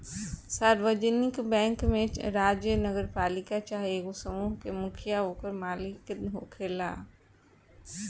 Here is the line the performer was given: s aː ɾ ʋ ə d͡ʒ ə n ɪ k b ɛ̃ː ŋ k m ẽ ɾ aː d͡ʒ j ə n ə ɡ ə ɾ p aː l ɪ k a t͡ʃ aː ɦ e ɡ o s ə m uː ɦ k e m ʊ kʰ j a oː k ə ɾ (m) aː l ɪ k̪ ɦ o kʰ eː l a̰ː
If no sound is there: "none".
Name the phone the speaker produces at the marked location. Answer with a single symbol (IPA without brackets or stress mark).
m